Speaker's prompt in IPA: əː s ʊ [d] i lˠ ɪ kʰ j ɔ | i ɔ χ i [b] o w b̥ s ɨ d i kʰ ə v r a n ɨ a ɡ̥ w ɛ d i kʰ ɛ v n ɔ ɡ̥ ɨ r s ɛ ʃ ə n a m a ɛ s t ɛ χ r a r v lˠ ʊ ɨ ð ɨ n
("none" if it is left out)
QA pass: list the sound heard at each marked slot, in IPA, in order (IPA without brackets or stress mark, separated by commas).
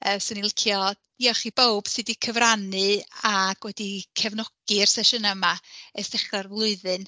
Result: n, b